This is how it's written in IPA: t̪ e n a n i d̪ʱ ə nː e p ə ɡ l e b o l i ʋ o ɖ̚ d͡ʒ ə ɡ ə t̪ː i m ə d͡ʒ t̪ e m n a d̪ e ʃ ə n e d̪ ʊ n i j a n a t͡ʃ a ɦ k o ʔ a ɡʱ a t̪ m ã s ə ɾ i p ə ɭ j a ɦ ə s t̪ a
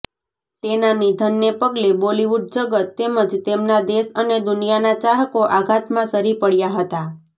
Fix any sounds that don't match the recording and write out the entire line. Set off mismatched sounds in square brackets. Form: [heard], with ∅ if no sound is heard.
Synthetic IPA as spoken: t̪ e n a n i d̪ʱ ə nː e p ə ɡ l e b o l i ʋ [u] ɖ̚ d͡ʒ ə ɡ ə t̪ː [e] m ə d͡ʒ t̪ e m n a d̪ e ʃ ə n e d̪ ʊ n i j a n a t͡ʃ a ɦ k o ʔ a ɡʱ a t̪ m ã s ə ɾ i p ə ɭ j a ɦ ə [∅] t̪ a